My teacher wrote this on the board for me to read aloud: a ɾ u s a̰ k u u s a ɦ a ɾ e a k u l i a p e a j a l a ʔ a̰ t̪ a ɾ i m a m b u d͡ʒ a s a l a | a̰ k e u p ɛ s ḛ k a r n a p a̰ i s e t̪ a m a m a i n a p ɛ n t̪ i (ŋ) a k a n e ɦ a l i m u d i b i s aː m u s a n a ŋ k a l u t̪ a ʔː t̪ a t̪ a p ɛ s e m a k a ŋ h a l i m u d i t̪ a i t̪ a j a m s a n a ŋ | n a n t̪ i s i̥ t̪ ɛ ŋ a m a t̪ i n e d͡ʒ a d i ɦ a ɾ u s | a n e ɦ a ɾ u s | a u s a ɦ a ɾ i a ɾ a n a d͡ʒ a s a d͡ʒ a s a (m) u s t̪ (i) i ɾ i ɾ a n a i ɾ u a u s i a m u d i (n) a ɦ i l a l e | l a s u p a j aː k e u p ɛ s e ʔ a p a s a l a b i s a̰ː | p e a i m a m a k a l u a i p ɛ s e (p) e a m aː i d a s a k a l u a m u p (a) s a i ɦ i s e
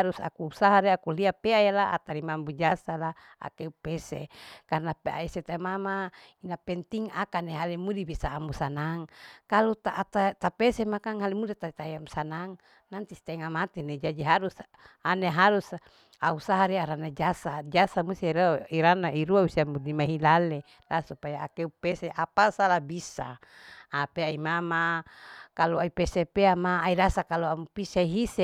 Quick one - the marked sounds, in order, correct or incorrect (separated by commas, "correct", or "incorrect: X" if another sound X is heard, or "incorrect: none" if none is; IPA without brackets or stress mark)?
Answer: correct, correct, correct, incorrect: m, correct, incorrect: i